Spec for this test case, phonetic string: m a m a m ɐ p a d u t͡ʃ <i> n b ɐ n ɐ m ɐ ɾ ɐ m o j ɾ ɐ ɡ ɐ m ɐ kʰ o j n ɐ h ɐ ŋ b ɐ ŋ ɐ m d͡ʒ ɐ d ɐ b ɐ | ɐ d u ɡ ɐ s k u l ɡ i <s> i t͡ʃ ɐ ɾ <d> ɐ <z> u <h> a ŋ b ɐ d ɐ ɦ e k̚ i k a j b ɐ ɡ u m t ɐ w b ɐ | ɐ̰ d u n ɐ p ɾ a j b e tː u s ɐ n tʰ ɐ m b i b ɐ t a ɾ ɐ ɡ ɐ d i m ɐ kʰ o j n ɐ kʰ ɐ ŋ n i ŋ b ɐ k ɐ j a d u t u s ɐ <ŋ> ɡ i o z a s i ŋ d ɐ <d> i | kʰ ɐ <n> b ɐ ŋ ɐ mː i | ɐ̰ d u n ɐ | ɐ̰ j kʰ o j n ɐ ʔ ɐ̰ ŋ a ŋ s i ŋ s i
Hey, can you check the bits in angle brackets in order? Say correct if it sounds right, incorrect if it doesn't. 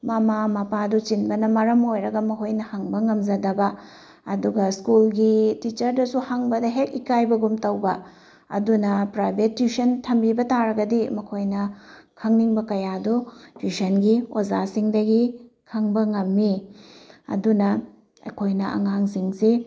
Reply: correct, incorrect: t, correct, incorrect: s, correct, incorrect: n, incorrect: ɡ, incorrect: ŋ

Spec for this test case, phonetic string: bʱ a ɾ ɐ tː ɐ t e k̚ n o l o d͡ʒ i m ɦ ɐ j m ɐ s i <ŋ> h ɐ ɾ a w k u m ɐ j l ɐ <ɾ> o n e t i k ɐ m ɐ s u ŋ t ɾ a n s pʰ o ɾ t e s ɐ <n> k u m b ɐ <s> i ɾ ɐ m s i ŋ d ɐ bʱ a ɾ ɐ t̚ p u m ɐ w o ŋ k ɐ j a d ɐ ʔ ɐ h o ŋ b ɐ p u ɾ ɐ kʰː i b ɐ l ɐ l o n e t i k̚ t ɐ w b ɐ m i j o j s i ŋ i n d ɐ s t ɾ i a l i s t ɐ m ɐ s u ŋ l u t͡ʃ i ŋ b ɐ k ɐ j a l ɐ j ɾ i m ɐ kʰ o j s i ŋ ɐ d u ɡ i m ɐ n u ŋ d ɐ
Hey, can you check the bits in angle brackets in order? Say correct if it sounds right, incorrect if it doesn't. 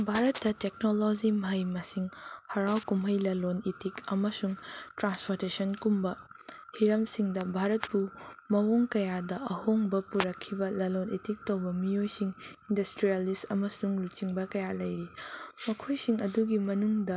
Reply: correct, incorrect: l, correct, incorrect: h

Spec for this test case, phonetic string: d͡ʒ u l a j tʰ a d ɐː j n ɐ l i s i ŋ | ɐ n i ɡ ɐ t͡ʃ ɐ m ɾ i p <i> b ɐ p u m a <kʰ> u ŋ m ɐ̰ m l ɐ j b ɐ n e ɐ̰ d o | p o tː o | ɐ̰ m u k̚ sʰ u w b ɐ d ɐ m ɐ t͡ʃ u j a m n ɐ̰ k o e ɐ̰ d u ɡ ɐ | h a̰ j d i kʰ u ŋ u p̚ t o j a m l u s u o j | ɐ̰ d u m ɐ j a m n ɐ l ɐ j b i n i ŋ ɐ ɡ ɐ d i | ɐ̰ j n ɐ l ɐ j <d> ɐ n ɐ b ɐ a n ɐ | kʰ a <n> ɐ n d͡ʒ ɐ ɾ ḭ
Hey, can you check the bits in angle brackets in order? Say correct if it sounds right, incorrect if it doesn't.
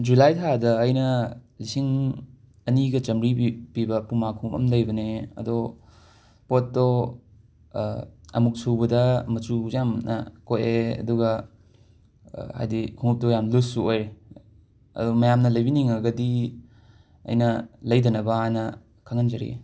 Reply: correct, correct, correct, incorrect: ŋ

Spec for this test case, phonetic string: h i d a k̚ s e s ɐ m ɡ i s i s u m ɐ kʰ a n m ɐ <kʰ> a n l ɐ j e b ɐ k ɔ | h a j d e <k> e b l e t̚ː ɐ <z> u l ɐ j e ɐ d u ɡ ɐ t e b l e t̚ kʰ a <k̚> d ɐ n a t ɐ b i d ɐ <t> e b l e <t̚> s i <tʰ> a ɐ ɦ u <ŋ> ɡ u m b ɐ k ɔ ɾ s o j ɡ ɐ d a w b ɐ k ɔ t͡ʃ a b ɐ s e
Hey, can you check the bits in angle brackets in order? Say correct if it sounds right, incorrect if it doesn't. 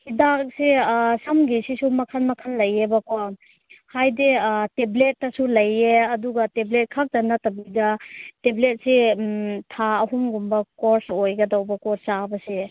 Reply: correct, incorrect: t, incorrect: s, correct, correct, correct, correct, incorrect: m

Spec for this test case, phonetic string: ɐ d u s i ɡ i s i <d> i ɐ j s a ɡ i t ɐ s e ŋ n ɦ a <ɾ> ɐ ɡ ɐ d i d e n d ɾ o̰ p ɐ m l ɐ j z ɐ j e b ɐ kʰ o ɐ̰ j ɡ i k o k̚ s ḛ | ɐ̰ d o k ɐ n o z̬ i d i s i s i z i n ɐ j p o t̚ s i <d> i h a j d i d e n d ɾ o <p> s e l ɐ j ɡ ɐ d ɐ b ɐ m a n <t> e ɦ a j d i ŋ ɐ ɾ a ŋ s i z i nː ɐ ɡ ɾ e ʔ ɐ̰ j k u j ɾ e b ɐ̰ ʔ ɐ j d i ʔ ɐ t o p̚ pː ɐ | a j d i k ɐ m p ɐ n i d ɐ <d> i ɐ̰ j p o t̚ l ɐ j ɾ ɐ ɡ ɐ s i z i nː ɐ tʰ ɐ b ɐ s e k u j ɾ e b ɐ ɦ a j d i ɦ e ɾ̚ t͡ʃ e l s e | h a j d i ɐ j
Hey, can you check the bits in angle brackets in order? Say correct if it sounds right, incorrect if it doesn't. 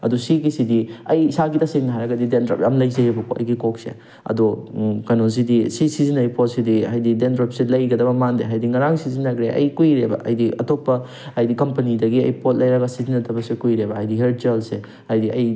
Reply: correct, correct, correct, correct, incorrect: d, incorrect: ɡ

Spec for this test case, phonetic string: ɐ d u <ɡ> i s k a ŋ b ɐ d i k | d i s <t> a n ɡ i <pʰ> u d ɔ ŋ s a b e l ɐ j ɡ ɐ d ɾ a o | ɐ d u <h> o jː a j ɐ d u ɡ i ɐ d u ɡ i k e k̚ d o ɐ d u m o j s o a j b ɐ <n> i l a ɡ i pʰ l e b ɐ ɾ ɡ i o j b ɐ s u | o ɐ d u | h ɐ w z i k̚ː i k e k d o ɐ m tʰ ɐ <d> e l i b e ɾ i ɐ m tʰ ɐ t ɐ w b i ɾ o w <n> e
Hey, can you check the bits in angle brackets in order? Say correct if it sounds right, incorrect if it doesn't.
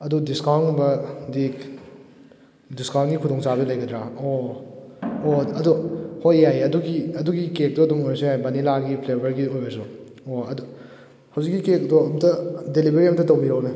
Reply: incorrect: d, incorrect: k, incorrect: kʰ, correct, correct, correct, correct

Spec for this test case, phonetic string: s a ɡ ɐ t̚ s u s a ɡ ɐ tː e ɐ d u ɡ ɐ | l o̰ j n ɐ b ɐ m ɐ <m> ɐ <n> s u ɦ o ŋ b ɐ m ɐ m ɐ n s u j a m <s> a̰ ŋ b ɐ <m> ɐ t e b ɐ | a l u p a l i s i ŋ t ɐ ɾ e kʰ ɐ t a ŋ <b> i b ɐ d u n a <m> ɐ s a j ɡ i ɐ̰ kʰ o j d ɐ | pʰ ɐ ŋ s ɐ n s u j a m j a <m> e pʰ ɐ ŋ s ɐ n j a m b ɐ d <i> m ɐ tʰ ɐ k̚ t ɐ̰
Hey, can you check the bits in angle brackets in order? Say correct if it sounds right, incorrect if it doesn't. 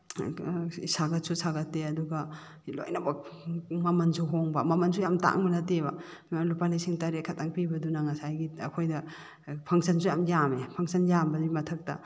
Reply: correct, correct, incorrect: t, incorrect: n, incorrect: p, incorrect: ŋ, correct, correct

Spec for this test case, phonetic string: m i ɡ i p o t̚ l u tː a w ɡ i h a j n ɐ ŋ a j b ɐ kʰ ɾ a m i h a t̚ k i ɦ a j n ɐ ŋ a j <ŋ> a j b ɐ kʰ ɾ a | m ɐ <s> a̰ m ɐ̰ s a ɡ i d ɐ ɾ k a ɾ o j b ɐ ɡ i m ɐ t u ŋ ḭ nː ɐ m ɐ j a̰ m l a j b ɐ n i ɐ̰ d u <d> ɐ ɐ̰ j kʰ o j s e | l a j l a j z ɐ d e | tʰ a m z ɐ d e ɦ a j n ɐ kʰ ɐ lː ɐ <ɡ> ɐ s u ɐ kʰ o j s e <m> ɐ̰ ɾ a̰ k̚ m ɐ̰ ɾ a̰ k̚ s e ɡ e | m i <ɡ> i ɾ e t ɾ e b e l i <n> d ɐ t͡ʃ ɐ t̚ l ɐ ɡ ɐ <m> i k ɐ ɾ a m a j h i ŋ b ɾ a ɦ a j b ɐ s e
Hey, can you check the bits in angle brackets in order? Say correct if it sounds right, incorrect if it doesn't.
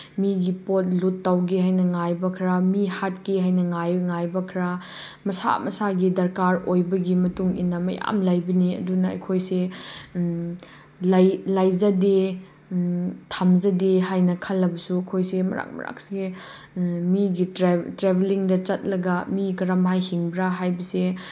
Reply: correct, correct, incorrect: n, incorrect: b, correct, correct, incorrect: ŋ, correct

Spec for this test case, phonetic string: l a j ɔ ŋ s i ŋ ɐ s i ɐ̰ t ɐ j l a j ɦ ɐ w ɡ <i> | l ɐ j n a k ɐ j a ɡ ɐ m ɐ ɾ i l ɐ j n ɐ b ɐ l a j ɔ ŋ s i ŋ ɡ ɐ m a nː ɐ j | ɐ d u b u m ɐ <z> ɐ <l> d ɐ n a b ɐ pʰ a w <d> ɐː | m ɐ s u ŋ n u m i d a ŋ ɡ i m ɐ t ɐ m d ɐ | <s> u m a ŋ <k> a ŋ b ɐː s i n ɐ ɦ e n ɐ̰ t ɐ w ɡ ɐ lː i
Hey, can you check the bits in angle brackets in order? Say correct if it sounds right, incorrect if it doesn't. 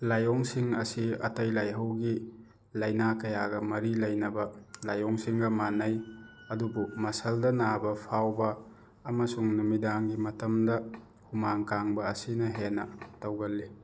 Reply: correct, incorrect: s, correct, incorrect: b, incorrect: h, correct

